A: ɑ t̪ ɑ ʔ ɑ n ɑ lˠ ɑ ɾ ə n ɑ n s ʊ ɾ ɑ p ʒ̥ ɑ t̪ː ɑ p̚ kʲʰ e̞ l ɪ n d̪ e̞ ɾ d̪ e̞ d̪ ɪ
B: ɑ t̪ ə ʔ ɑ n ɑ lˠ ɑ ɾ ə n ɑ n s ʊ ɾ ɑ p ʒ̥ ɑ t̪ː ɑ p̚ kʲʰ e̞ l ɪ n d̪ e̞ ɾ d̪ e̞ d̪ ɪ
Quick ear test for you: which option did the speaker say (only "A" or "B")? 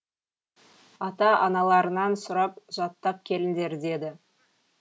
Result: A